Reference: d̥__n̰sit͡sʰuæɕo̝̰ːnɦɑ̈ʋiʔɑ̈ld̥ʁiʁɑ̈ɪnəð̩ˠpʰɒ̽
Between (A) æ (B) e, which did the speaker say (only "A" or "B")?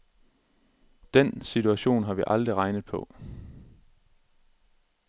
B